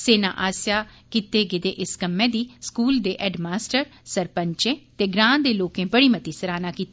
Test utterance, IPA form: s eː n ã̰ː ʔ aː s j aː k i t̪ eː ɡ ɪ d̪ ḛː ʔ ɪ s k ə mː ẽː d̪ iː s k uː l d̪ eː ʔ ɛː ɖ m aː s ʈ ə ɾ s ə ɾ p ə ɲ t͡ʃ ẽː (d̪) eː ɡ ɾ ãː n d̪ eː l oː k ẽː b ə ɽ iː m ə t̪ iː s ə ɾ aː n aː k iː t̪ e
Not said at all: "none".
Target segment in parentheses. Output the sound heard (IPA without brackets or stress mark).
t̪